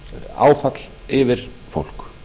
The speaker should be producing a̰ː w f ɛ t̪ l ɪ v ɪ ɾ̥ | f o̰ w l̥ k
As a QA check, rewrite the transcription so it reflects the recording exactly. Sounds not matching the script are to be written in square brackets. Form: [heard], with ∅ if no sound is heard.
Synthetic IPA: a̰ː w f [a] t̪ l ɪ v ɪ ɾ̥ | f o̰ w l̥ k

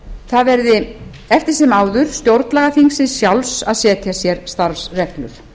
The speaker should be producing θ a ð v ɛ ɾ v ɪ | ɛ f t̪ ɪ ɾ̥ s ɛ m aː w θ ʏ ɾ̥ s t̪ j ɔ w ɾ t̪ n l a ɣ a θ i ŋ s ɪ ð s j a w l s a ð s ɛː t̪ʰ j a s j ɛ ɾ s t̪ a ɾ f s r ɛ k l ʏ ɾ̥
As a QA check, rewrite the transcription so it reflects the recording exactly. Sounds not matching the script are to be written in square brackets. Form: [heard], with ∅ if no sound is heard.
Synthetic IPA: θ a ð v ɛ ɾ [ð] ɪ | ɛ f t̪ ɪ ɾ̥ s ɛ m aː w [ð] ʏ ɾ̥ s t̪ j [o] w ɾ t̪ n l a ɣ a θ i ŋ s ɪ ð s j a w l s a ð s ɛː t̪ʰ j a s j ɛ ɾ s t̪ a ɾ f s r ɛ k l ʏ ɾ̥

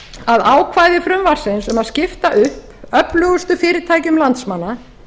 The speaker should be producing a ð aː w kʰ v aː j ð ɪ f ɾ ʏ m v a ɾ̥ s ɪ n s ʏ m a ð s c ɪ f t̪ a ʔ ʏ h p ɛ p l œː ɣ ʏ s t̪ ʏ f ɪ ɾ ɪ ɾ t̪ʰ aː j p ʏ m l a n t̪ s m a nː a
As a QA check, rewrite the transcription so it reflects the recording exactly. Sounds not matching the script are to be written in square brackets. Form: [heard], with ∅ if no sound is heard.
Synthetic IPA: a ð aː w kʰ v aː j ð ɪ f ɾ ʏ m v a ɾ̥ s ɪ n s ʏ m a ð s c ɪ f t̪ a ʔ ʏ h p [œ] p l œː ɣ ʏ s t̪ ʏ f [ɪː] ɾ ɪ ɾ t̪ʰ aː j [c] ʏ m l a n t̪ s m a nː a

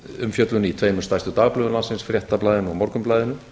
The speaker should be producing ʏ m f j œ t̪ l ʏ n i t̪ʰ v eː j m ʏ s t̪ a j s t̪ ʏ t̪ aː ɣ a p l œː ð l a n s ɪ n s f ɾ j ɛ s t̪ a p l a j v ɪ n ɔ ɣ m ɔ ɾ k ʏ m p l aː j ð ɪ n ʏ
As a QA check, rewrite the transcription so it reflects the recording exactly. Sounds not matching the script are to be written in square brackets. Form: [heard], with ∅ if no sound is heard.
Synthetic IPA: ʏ m f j œ t̪ l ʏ n i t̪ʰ v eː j m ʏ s t̪ a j s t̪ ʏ t̪ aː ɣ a p l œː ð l a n s ɪ n s f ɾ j ɛ [h] t̪ a p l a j [ð] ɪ n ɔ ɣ m ɔ ɾ k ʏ m p l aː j ð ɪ n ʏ

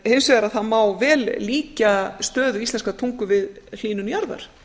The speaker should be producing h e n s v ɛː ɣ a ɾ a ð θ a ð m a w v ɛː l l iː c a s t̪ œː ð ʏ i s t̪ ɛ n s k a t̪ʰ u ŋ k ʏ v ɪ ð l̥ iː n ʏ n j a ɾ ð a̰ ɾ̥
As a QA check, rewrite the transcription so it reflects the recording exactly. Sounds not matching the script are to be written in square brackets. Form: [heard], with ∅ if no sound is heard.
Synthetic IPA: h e n s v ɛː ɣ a ɾ a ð θ a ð m a w v ɛː l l iː c a s t̪ œː ð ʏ i s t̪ ɛ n s k a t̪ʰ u ŋ k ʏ v ɪ ð l̥ iː n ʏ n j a ɾ ð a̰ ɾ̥

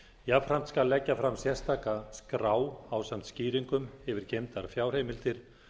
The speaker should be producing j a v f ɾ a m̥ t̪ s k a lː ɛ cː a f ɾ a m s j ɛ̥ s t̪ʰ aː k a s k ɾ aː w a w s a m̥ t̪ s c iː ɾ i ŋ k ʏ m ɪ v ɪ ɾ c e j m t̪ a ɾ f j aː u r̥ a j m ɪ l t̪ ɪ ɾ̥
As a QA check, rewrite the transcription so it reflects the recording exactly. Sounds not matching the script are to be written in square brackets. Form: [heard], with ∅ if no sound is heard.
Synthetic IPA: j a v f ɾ a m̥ t̪ s k a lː ɛ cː a f ɾ a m s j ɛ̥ s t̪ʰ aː k a s k ɾ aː w a w s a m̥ t̪ s c iː ɾ i ŋ k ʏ m ɪ v ɪ ɾ c e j m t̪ a ɾ f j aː [w] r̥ [e] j m ɪ l t̪ ɪ ɾ̥

